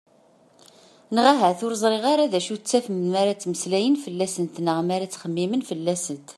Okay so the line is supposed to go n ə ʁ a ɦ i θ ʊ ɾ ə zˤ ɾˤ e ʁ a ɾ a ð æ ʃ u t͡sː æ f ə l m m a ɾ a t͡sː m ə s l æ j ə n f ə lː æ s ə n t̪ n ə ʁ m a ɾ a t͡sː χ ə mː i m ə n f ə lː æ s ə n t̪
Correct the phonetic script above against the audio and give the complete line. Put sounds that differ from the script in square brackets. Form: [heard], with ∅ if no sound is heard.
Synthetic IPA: n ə ʁ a ɦ [æ] θ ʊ ɾ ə zˤ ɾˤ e ʁ a ɾ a ð æ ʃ u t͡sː æ f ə [∅] m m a ɾ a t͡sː m ə s l æ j ə n f ə lː æ s ə n t̪ n ə ʁ m a ɾ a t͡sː χ ə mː i m ə n f ə lː æ s ə n t̪